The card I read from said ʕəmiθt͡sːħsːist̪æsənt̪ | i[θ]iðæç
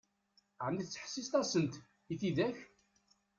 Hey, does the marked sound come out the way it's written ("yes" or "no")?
yes